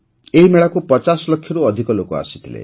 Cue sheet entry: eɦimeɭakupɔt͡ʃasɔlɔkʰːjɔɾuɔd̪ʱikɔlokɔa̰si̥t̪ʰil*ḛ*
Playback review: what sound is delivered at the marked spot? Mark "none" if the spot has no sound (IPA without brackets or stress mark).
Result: ḛ